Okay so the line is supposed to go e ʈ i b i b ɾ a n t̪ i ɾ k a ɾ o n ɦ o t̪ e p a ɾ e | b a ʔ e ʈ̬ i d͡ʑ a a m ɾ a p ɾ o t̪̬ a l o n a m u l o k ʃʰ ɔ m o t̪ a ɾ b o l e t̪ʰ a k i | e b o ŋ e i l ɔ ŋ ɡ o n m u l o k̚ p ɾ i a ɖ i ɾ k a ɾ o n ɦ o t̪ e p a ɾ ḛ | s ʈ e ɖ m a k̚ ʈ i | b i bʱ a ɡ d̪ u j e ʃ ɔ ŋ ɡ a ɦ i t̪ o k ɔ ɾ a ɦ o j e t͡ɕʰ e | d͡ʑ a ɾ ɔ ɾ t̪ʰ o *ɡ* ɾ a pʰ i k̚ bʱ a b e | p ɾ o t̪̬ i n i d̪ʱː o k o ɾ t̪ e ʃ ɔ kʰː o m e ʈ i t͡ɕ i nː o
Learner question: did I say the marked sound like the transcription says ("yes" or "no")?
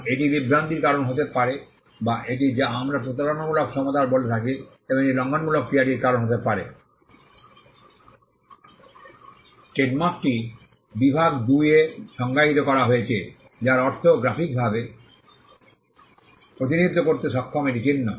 yes